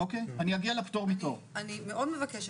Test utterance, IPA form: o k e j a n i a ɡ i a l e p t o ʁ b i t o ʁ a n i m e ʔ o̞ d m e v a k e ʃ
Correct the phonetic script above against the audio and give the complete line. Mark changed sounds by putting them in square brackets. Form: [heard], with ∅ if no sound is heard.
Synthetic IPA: o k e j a n i a ɡ i a l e p t o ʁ [m] i t o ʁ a n i m e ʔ o̞ d m e v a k e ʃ